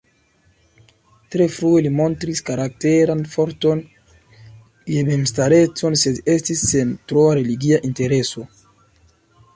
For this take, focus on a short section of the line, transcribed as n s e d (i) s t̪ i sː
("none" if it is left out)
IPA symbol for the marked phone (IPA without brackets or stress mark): e